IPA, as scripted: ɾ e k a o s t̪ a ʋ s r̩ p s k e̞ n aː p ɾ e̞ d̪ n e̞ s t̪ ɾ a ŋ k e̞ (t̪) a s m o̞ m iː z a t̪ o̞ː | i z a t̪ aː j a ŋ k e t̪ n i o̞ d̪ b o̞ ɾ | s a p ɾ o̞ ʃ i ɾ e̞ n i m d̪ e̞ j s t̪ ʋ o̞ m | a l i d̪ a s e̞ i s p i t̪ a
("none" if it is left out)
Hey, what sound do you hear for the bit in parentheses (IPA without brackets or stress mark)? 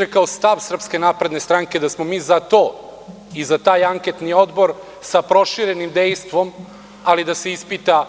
d̪